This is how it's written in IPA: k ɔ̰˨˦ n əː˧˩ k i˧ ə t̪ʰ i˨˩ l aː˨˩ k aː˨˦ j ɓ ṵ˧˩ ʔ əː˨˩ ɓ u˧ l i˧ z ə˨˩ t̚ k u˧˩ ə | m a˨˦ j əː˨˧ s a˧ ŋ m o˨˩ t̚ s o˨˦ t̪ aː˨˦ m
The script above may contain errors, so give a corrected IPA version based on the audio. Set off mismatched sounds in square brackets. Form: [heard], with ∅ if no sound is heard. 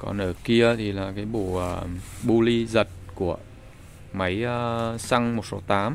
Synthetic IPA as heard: k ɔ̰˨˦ n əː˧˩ k i˧ ə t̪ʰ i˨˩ l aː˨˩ k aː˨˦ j ɓ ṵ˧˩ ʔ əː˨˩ ɓ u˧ l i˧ z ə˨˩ t̚ k u˧˩ ə | m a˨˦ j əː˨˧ s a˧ ŋ m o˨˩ t̚ s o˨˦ t̪ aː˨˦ m